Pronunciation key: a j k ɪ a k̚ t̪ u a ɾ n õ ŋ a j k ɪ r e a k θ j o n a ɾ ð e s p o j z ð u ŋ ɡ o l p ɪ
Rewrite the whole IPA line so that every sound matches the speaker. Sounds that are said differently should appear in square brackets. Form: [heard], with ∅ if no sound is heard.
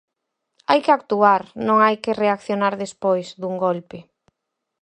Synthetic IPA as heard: a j k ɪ a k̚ t̪ u a ɾ n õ ŋ a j k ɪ r e a k θ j o n a ɾ ð e s p o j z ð u ŋ ɡ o l p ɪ